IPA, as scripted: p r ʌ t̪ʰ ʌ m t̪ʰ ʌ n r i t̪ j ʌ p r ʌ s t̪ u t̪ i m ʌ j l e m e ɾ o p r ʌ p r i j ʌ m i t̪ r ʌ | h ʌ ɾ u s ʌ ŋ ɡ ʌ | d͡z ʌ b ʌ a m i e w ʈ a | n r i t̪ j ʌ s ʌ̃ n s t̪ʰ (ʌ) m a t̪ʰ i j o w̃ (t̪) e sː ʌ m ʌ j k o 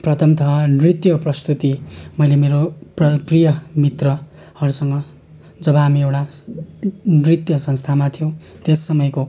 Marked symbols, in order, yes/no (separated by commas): no, yes